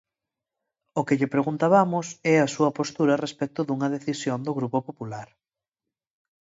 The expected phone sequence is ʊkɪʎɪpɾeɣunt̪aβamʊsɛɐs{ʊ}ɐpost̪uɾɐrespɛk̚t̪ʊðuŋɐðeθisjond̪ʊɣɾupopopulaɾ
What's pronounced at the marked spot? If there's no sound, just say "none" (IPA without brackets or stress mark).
u